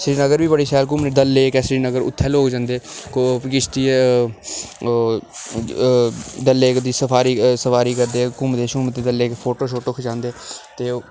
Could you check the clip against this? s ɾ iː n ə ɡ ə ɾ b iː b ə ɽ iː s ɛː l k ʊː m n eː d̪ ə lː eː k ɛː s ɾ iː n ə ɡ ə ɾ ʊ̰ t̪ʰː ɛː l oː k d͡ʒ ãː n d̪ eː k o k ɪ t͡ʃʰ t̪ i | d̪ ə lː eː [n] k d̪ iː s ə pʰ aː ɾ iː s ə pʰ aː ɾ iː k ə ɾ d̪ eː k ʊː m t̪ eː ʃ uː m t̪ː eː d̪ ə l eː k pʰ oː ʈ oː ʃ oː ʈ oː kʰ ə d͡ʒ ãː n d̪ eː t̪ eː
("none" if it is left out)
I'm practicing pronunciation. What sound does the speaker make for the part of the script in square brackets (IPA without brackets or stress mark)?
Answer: none